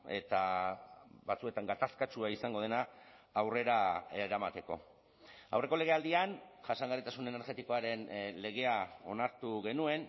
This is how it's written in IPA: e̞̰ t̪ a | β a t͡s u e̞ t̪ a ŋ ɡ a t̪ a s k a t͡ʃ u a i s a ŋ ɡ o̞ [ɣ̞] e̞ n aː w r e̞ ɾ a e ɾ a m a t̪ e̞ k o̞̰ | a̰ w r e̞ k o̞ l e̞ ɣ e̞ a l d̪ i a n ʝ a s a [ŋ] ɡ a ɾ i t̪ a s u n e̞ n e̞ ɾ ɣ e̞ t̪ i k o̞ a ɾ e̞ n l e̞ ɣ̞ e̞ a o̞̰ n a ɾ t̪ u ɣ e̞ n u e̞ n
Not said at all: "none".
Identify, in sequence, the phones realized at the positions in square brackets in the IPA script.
ð̞, ŋ

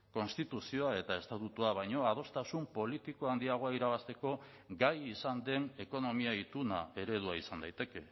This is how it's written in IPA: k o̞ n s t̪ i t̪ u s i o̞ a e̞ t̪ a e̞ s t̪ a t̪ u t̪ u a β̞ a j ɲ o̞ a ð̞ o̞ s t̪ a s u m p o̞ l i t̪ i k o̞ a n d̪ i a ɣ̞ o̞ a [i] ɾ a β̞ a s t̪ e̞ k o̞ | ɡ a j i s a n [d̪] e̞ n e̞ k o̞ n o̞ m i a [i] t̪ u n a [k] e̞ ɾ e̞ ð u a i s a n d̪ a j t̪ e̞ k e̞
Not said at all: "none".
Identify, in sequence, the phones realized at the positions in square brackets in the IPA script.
i, d̪, i, none

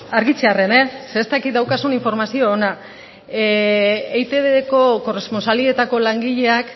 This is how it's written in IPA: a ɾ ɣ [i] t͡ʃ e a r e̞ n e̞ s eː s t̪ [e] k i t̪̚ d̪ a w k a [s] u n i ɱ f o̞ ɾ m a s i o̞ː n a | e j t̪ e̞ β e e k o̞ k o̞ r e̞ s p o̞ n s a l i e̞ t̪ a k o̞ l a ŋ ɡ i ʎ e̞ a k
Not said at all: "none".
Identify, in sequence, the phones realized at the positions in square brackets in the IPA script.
i, a, s

